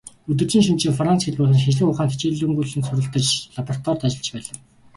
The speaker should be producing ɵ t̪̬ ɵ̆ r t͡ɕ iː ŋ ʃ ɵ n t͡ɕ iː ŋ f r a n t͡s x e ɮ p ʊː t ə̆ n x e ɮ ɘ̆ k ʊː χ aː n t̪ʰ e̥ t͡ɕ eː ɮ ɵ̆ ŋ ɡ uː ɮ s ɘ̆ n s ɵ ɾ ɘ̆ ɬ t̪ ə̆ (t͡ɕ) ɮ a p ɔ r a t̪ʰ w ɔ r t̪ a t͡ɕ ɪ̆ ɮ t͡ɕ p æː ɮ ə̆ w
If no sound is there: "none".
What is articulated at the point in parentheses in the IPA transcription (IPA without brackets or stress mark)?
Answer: t͡ɕ